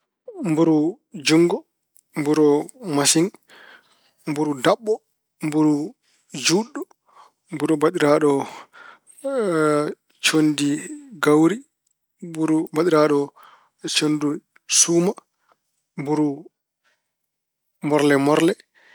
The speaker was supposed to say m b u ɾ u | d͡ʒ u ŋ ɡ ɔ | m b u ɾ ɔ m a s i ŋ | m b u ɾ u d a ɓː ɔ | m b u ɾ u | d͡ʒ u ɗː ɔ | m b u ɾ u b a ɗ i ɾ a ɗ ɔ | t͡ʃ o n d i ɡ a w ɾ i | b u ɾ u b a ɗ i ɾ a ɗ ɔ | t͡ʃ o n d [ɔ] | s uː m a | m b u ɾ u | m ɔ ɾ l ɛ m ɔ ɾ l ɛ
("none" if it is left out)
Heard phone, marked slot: u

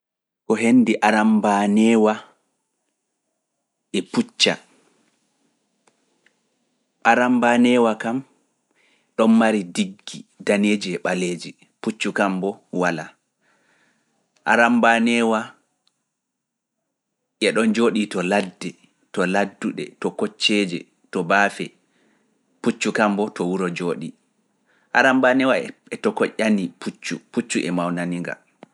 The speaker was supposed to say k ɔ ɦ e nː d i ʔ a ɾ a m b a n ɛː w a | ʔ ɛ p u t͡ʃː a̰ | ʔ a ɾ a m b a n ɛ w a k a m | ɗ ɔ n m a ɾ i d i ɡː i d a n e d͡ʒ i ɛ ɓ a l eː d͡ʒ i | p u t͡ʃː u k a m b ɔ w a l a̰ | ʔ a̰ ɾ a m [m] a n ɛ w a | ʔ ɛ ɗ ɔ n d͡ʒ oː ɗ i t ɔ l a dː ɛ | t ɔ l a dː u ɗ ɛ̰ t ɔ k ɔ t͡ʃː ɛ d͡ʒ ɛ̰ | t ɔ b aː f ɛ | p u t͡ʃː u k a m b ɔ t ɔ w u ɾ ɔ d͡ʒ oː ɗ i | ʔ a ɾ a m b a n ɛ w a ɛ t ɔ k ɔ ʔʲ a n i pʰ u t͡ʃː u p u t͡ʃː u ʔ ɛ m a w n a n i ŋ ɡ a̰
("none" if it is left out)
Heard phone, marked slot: b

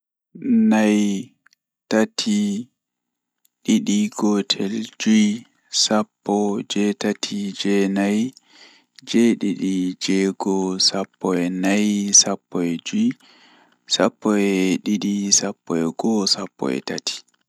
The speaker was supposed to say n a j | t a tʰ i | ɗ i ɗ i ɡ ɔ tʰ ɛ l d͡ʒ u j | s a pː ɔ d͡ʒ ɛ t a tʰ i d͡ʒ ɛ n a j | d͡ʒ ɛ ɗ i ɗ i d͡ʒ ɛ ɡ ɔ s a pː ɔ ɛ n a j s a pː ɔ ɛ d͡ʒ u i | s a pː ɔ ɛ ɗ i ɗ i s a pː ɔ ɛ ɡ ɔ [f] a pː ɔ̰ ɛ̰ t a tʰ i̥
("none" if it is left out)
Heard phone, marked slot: s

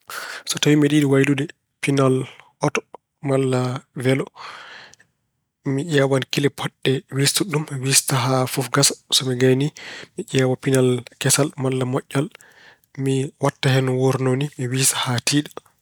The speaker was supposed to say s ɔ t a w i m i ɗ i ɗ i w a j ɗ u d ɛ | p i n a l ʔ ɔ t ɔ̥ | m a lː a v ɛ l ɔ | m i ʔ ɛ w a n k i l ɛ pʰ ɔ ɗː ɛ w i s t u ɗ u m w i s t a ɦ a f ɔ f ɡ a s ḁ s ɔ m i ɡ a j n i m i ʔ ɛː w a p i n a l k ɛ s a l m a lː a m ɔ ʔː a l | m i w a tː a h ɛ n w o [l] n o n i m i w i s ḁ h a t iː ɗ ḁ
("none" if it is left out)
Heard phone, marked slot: ɾ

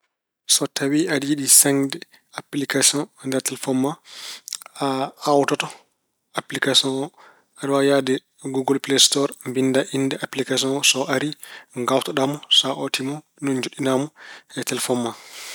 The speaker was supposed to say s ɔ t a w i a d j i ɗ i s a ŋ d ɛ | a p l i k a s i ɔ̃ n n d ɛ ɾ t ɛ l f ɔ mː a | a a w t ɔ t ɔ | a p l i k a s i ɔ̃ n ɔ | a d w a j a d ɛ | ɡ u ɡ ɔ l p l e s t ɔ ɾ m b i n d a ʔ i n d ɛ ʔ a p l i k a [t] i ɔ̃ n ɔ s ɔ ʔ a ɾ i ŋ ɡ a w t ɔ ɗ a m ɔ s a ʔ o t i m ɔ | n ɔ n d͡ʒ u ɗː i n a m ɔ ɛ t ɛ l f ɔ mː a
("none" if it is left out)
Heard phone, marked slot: s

